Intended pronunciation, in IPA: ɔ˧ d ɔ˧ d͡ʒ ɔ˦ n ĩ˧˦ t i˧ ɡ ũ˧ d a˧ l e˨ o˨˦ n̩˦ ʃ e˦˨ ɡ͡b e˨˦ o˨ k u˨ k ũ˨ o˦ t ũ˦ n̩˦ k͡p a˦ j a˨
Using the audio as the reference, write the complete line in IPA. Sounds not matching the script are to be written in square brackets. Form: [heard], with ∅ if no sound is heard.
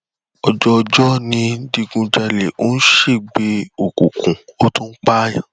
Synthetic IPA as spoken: ɔ˧ [d͡ʒ] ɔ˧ d͡ʒ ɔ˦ n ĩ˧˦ [d] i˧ ɡ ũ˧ [d͡ʒ] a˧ l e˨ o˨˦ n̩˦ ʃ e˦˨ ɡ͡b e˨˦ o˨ k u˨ k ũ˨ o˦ t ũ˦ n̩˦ k͡p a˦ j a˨